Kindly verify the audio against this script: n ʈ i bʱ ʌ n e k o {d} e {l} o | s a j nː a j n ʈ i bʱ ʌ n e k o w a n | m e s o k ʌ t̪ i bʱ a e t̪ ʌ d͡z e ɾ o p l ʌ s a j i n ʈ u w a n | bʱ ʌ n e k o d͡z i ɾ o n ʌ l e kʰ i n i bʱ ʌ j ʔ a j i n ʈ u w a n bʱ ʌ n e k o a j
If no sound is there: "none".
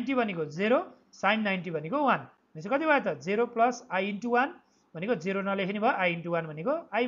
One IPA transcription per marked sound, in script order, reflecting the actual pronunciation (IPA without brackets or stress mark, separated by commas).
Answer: d͡z, ɾ